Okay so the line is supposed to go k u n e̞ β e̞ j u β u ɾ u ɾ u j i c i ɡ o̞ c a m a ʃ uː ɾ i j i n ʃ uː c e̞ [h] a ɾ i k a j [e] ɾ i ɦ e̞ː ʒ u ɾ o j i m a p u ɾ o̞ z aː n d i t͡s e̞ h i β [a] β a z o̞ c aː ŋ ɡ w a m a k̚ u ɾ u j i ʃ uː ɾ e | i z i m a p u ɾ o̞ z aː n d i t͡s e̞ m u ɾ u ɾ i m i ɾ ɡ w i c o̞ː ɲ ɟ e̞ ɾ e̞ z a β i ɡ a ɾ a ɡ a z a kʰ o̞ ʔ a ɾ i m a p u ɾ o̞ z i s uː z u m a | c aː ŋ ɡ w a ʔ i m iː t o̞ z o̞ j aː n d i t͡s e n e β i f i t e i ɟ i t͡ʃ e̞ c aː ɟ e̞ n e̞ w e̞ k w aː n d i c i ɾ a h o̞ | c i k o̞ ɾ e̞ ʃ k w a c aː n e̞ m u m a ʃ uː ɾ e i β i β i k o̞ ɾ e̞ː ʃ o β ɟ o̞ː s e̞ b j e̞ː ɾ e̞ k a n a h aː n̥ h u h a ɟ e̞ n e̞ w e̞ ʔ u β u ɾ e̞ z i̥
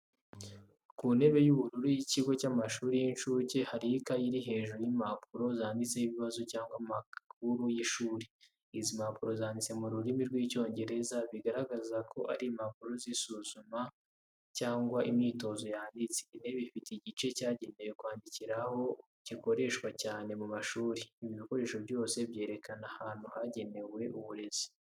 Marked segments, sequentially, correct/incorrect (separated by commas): correct, incorrect, incorrect